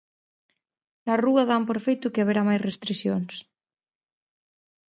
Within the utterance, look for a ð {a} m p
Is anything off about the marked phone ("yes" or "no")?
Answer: no